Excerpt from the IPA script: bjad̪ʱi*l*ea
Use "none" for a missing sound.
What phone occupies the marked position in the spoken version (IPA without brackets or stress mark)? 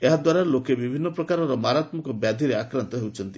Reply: ɾ